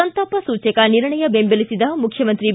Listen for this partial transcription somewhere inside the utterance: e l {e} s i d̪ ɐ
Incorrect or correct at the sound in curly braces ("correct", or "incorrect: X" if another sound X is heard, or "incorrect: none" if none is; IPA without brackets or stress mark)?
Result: incorrect: i